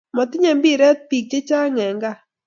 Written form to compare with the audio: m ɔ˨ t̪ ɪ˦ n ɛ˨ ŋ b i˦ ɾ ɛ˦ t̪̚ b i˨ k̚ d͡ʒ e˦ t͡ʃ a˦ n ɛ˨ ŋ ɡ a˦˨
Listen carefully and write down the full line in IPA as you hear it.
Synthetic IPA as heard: m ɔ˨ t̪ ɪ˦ ɲ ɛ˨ m b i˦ ɾ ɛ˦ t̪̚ p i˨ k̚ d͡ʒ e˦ t͡ʃ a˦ ŋ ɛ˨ ŋ ɡ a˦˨

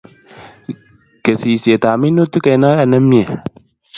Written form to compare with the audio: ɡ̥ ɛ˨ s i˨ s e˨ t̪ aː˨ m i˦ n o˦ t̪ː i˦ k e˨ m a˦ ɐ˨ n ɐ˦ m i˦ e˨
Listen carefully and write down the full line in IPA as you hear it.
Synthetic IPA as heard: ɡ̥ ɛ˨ s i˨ s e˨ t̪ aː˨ m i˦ n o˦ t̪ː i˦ k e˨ n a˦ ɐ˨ n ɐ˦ m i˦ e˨

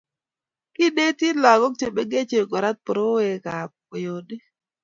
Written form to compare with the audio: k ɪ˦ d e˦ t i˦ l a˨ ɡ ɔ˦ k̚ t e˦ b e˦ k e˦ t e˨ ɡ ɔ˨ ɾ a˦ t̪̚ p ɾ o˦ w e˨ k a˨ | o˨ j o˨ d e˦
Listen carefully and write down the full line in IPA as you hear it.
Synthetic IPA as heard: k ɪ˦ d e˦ t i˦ l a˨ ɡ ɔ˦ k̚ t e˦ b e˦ ɡ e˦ t͡ʃ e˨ ɡ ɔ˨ ɾ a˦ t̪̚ p ɾ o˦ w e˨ k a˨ | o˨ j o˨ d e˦

